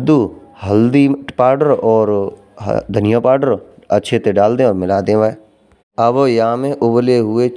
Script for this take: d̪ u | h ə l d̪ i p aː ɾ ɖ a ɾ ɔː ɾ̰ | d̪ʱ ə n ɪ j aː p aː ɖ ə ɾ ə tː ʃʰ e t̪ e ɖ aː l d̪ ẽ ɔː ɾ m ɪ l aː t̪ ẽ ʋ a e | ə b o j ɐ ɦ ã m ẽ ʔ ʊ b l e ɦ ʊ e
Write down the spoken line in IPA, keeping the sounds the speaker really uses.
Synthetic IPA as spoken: d̪ u | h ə l d̪ i p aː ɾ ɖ ə ɾ ɔː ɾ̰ | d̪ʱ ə n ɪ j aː p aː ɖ ə ɾ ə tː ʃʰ e t̪ e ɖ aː l d̪ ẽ ɔː ɾ m ɪ l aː d̪ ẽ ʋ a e | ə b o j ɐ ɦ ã m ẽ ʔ ʊ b l e ɦ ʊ e